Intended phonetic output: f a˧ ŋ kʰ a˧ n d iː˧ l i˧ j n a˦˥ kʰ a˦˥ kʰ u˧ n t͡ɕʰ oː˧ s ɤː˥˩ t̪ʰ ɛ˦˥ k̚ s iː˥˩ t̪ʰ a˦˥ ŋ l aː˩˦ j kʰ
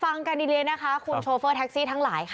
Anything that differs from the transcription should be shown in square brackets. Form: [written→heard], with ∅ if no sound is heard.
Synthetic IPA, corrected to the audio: f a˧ ŋ [kʰ→k] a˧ n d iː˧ l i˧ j n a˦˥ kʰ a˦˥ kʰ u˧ n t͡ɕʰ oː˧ [s→f] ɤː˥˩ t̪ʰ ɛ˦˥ k̚ s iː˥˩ t̪ʰ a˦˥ ŋ l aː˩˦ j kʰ